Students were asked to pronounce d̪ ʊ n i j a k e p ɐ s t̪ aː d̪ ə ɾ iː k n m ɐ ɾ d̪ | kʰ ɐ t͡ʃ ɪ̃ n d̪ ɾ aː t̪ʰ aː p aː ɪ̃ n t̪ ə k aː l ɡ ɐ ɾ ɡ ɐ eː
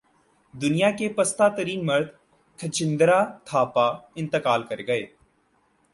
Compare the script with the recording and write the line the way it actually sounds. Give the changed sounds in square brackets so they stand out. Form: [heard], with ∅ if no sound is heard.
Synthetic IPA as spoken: d̪ ʊ n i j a k e p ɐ s t̪ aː [t̪] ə ɾ iː [∅] n m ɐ ɾ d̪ | kʰ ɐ t͡ʃ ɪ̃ n d̪ ɾ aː t̪ʰ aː p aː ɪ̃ n t̪ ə k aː l [k] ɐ ɾ ɡ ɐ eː